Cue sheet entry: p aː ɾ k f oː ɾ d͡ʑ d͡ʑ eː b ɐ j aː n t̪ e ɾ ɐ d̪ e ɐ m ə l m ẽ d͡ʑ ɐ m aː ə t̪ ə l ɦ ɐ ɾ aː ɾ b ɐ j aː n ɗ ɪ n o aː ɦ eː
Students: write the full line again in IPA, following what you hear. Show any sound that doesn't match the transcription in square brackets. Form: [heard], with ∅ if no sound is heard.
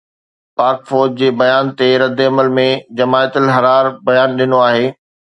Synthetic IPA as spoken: p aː ɾ k f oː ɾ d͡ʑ d͡ʑ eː b ɐ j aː n t̪ e ɾ ɐ d̪ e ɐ m ə l m ẽ d͡ʑ ɐ m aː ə t̪ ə l ɦ ɐ ɾ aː ɾ b ɐ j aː n ɗ ɪ n o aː ɦ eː